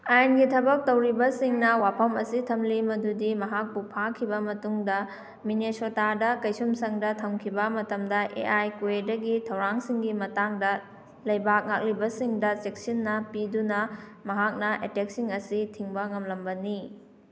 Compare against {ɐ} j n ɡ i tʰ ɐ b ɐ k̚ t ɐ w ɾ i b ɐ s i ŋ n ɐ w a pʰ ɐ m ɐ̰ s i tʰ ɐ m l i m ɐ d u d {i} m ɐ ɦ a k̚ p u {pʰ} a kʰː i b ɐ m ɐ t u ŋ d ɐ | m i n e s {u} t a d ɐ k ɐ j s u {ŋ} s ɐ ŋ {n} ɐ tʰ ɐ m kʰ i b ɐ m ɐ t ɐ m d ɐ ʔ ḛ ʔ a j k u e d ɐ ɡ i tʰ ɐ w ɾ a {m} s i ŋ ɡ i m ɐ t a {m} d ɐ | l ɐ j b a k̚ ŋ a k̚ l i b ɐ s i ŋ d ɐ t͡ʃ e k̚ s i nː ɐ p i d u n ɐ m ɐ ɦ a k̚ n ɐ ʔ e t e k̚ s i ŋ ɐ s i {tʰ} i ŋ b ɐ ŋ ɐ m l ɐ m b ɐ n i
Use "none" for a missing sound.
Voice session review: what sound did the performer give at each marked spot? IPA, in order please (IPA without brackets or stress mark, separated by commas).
a, i, pʰ, o, m, d, ŋ, ŋ, tʰ